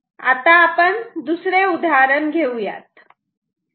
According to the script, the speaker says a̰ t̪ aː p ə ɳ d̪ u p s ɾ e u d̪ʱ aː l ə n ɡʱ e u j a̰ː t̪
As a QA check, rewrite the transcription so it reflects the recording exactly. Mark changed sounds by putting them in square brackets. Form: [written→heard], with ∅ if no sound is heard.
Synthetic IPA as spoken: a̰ t̪ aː p ə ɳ d̪ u [p→∅] s ɾ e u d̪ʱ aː [l→ɾ] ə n ɡʱ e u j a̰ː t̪